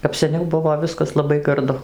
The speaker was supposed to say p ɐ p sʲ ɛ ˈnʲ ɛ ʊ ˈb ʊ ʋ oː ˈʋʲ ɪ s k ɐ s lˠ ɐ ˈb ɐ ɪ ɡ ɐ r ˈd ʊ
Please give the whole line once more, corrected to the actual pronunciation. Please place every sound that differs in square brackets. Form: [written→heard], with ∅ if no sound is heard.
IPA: [p→k] ɐ p sʲ ɛ ˈnʲ ɛ ʊ ˈb ʊ ʋ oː ˈʋʲ ɪ s k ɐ s lˠ ɐ ˈb ɐ ɪ ɡ ɐ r ˈd ʊ